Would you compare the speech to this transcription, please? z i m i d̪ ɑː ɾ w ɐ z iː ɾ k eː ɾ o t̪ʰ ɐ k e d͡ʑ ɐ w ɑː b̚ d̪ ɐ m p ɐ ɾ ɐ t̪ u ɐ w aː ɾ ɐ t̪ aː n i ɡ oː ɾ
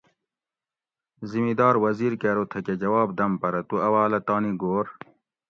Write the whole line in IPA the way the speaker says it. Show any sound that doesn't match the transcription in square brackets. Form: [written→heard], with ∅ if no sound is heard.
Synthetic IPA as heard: z i m i d̪ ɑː ɾ w ɐ z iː ɾ k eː ɾ o t̪ʰ ɐ k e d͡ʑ ɐ w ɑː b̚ d̪ ɐ m p ɐ ɾ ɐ t̪ u ɐ w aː [ɾ→l] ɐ t̪ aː n i ɡ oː ɾ

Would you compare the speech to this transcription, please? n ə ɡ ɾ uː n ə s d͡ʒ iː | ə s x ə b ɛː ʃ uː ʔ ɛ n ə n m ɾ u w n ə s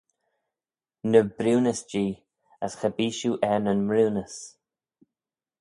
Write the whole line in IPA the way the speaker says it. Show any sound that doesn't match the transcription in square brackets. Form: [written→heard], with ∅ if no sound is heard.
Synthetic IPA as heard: n ə [ɡ→b] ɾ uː n ə s d͡ʒ iː | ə s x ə b [ɛː→iː] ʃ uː ʔ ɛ n ə n m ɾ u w n ə s

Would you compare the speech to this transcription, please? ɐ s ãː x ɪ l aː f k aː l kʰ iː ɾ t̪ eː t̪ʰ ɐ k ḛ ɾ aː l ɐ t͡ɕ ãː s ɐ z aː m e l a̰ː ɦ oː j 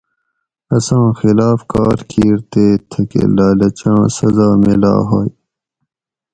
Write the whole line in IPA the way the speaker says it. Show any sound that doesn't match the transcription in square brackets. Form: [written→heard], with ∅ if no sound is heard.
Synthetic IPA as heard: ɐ s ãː x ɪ l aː f k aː [l→ɾ] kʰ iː ɾ t̪ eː t̪ʰ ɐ k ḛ [ɾ→l] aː l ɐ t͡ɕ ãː s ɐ z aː m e l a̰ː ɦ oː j

